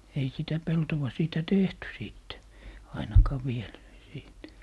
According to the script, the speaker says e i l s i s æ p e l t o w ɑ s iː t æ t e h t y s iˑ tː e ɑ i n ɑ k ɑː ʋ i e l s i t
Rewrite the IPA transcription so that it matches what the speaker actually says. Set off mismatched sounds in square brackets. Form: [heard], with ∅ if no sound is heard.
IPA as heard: e i [∅] s i [t] æ p e l t o w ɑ s iː t æ t e h t y s iˑ tː e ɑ i n ɑ k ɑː ʋ i e l s [iː] t

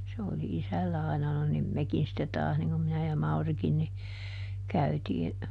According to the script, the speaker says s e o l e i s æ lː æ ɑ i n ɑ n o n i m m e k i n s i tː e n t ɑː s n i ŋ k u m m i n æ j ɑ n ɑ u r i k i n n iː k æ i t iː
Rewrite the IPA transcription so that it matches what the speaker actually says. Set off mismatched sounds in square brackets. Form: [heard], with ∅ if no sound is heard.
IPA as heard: s e o l [i] i s æ lː æ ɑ i n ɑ n o n i m m e k i n s i tː e [∅] t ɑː s n i ŋ k u m m i n æ j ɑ [m] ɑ u r i k i n n [i] k æ [y] t iː

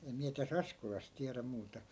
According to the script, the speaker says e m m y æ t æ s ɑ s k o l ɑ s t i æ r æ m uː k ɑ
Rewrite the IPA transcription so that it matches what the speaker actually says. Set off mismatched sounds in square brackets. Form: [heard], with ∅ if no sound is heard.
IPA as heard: e m m [i] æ t æ s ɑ s k o l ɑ s t i æ r æ m uː [t] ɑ

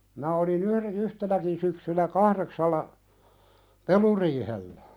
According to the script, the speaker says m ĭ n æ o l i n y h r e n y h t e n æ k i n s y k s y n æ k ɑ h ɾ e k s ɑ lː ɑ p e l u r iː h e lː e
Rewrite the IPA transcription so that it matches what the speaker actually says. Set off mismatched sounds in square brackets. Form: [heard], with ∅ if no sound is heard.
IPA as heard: m ĭ n æ o l i n y h r e n y h t e n æ k i n s y k s y n æ k ɑ h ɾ e k s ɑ lː ɑ p e l u r iː h e lː [æ]

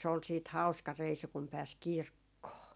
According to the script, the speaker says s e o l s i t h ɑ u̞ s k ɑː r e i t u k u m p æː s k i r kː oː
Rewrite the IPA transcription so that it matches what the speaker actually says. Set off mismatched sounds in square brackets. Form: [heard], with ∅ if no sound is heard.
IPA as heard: s e o l s [iː] t h ɑ u̞ s k [ɑ] r e i [s] u k u m p æː s k i r kː oː

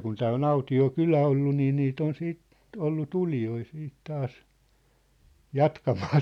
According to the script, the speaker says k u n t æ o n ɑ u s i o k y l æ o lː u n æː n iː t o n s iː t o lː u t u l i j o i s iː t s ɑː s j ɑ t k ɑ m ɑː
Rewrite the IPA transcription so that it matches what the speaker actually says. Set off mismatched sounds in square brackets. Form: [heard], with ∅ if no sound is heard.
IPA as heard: k u n t [æː] o n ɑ u [t] i o k y l æ o lː u n [iː] n iː t o n s iː t o lː u t u l i j o i s iː t [t] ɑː s j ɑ t k ɑ m ɑː

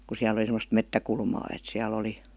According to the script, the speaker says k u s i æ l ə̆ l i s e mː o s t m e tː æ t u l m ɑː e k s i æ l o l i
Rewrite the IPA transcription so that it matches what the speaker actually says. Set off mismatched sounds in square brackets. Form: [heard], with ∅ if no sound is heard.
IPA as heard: k u s i æ l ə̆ l i s e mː o s t m e tː æ [k] u l m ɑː e [t] s i æ l o l i

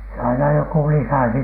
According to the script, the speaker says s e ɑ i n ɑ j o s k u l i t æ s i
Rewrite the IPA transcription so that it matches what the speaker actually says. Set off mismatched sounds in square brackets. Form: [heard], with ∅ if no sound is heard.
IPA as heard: s e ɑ i n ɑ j o [∅] k u l i [s] æ s i

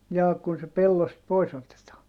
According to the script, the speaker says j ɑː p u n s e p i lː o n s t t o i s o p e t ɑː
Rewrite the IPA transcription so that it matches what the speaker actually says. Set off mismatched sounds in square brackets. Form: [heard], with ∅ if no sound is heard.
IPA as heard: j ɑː [k] u n s e p [e] lː o [∅] s t [p] o i s o [t] e t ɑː

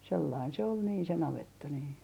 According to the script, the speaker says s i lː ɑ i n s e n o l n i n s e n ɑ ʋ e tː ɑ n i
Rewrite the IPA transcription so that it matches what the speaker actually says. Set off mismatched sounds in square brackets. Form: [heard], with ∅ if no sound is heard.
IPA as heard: s [e] lː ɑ i n s e [∅] o l n [iː] n s e n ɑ ʋ e tː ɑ n [iː]

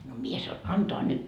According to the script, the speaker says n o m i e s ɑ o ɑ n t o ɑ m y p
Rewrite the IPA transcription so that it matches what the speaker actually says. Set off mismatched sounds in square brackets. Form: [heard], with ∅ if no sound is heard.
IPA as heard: n o m i e s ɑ o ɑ n t o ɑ [n] y [t]

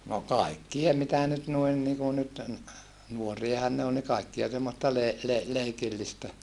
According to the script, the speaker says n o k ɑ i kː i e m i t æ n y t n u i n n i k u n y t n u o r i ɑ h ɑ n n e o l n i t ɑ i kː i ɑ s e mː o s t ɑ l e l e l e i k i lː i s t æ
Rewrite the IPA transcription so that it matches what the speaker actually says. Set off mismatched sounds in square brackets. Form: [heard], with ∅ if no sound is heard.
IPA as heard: n o k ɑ i kː i e m i t æ n y t n u i n n i k u n y t n u o r i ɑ h ɑ n n e o l n i [k] ɑ i kː i ɑ s e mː o s t ɑ l e l e l e i k i lː i s t æ

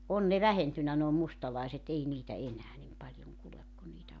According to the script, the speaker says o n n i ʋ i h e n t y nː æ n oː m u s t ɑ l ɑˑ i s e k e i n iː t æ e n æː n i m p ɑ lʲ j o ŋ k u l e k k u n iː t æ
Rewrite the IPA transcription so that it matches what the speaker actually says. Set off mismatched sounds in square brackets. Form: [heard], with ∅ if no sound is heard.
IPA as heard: o n n [e] ʋ [æ] h e n t y nː æ n oː m u s t ɑ l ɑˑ i s e [t] e i n iː t æ e n æː n i m p ɑ lʲ j o ŋ k u l e k k u n iː t æ

